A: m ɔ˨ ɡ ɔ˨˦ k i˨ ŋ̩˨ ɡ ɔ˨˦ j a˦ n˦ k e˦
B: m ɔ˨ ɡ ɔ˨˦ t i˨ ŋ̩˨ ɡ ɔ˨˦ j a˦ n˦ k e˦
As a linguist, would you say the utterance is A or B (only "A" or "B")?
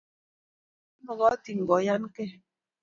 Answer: B